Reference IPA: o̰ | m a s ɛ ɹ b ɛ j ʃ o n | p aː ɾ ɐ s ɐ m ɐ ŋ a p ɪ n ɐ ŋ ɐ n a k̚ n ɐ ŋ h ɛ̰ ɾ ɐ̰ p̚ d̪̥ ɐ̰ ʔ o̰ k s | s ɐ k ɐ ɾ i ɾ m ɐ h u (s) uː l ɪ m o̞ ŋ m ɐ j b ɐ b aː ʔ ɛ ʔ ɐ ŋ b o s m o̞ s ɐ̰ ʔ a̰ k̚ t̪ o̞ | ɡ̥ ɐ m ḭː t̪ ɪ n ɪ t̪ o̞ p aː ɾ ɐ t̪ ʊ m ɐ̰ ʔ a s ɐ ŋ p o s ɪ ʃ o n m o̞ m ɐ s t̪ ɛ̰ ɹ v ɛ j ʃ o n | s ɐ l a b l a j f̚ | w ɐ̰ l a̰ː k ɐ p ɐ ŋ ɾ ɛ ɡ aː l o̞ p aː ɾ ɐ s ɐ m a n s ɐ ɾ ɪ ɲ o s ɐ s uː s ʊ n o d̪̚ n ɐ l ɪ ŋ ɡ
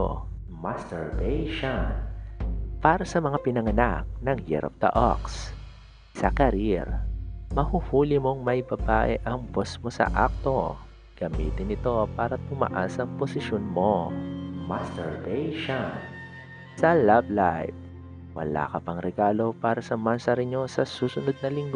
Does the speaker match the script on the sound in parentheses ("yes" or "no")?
no